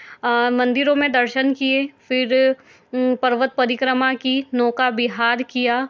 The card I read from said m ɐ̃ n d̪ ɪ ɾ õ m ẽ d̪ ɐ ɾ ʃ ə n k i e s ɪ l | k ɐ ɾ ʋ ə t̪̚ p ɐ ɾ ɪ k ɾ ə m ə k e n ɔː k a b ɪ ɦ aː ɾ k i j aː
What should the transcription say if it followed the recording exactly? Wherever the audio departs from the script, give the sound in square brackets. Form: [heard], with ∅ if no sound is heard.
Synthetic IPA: m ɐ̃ n d̪ ɪ ɾ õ m ẽ d̪ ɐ ɾ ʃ ə n k i e [f] ɪ [ɾ] | [p] ɐ ɾ ʋ ə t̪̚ p ɐ ɾ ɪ k ɾ ə m [a] k [i] n ɔː k a b ɪ ɦ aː ɾ k i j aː